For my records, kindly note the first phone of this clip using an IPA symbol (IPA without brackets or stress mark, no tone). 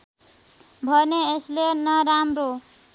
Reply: bʱ